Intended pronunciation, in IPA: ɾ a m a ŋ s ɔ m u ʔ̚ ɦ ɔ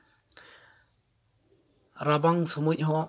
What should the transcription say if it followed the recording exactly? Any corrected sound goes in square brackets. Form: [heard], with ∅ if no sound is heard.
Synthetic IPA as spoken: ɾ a [b] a ŋ s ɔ m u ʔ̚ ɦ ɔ

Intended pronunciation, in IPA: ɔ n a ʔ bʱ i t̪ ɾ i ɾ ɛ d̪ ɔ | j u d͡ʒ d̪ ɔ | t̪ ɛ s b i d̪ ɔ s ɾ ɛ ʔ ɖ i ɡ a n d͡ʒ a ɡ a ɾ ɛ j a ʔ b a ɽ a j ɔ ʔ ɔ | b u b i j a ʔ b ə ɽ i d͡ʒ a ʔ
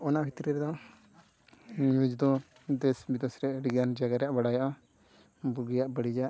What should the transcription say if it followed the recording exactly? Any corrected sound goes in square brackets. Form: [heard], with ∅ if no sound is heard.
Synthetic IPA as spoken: ɔ n a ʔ bʱ i t̪ ɾ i ɾ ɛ d̪ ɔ | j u d͡ʒ d̪ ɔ | [d̪] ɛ s b i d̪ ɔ s ɾ ɛ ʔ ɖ i ɡ a n d͡ʒ a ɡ a ɾ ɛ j a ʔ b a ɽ a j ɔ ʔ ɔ | b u [ɡ] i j a ʔ b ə ɽ i d͡ʒ a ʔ

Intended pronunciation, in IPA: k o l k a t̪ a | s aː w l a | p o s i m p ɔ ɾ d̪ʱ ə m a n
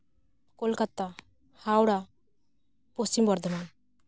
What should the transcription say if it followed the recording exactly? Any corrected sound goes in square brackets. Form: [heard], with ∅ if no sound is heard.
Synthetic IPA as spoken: k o l k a t̪ a | [h] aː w [ɽ] a | p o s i m [b] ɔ ɾ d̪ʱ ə m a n

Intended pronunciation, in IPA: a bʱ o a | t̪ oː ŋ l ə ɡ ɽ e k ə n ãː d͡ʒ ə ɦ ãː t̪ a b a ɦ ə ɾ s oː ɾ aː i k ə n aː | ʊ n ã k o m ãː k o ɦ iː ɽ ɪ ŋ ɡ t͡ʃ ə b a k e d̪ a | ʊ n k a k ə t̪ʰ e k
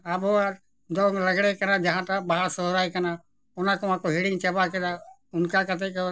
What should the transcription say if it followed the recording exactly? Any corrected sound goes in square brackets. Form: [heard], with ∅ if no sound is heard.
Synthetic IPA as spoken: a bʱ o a | [d̪] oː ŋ l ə ɡ ɽ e k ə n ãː d͡ʒ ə ɦ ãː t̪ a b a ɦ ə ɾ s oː ɾ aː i k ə n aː | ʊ n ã k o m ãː k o ɦ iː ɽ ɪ ŋ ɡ t͡ʃ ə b a k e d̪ a | ʊ n k a k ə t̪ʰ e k

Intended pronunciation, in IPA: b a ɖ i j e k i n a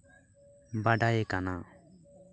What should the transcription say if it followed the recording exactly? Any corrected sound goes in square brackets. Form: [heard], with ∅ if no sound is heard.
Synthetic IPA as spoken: b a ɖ [a] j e k [a] n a

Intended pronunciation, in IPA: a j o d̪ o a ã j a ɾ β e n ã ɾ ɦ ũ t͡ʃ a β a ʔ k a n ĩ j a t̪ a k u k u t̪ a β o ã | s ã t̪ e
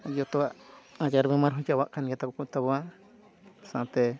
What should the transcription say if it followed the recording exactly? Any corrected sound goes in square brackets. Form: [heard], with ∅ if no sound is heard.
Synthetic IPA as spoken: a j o [t̪] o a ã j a ɾ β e [m] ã ɾ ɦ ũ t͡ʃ a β a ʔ k a n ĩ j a t̪ a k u k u t̪ a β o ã | s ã t̪ e

